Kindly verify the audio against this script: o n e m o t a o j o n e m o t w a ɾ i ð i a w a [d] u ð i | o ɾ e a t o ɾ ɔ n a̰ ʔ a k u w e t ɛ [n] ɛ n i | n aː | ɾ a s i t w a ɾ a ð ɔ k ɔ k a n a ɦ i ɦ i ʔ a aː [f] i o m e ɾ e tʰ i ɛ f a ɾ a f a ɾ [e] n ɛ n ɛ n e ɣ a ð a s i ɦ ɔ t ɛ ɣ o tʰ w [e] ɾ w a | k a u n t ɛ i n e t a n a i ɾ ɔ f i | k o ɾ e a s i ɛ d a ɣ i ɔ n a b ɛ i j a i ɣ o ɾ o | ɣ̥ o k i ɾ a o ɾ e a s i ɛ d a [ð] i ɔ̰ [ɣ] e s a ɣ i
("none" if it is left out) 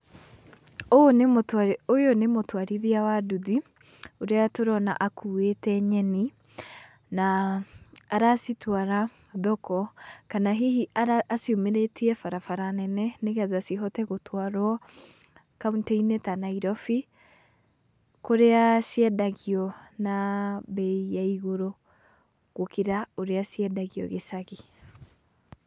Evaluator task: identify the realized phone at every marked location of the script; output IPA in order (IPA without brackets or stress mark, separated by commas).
d, ɲ, s, a, a, ɣ, ɣ